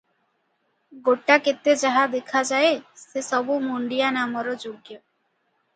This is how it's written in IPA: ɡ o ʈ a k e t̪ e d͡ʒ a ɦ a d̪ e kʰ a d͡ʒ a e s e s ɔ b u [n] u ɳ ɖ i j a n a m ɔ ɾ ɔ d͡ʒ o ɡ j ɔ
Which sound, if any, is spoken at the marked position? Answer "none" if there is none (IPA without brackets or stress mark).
m